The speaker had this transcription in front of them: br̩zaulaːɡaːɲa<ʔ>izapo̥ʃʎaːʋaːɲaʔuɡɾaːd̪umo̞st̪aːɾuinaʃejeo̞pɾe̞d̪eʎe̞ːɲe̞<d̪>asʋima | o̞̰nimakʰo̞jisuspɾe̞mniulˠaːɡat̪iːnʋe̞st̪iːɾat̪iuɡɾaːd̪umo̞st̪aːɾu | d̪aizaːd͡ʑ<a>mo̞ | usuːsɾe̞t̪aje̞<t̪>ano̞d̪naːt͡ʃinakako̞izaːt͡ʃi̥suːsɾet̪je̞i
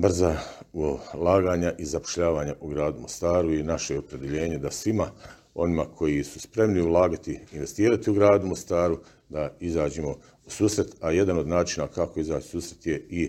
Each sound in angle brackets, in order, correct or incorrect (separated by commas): correct, correct, incorrect, incorrect